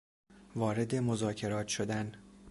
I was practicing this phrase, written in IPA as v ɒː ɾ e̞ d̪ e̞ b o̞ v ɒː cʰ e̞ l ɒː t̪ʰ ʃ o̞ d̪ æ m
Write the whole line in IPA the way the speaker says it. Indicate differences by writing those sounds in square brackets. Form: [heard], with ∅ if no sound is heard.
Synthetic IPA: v ɒː ɾ e̞ d̪ e̞ [m] o̞ [z] ɒː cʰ e̞ [ɾ] ɒː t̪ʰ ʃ o̞ d̪ æ [n]